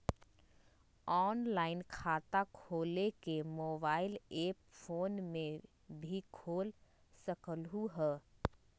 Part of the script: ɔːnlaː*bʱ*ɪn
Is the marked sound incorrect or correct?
incorrect